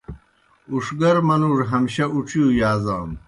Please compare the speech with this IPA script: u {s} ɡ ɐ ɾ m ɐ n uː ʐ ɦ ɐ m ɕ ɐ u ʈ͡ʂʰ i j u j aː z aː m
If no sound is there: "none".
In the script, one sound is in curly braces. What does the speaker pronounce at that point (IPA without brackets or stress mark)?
ʂ